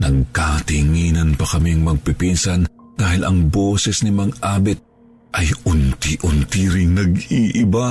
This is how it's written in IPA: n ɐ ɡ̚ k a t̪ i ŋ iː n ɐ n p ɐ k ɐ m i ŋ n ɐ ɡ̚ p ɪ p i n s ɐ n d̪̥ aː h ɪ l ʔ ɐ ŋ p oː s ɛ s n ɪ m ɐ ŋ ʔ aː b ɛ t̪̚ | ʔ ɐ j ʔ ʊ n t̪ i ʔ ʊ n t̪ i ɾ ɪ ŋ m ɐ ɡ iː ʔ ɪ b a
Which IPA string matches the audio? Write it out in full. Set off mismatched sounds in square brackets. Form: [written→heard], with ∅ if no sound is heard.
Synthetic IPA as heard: n ɐ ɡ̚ k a t̪ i ŋ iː n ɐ n p ɐ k ɐ m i ŋ [n→m] ɐ ɡ̚ p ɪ p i n s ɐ n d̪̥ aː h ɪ l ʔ ɐ ŋ [p→b] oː s ɛ s n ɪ m ɐ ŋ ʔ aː b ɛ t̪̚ | ʔ ɐ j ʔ ʊ n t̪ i ʔ ʊ n t̪ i ɾ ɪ ŋ [m→n] ɐ ɡ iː ʔ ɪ b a